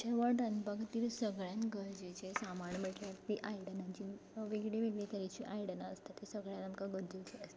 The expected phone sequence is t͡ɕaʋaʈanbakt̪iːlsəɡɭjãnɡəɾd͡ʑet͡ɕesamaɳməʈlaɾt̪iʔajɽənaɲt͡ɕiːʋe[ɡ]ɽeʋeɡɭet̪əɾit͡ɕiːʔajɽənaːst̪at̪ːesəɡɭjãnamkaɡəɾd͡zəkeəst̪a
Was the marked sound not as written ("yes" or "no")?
no